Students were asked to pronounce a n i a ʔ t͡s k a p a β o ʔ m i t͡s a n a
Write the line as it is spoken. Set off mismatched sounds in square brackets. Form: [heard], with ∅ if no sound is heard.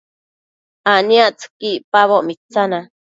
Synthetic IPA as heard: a n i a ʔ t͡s k [i] p a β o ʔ m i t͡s a n a